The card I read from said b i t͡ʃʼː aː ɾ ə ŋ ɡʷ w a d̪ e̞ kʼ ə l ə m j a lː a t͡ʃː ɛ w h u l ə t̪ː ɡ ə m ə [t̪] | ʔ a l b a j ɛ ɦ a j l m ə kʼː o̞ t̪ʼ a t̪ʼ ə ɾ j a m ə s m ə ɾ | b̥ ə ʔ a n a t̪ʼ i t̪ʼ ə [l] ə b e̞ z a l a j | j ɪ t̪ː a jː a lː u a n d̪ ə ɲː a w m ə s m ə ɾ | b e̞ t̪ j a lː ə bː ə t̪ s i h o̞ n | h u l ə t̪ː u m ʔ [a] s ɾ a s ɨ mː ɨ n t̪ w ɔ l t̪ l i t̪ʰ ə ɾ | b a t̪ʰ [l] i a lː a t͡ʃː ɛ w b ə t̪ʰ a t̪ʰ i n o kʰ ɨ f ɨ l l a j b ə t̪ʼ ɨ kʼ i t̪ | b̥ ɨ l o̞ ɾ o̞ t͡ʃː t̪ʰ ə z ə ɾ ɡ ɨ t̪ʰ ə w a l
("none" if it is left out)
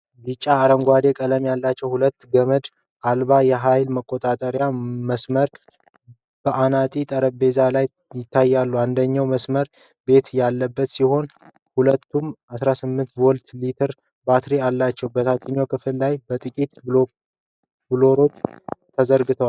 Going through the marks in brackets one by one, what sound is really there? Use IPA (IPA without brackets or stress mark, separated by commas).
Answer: d̪, ɾ, a, ɾ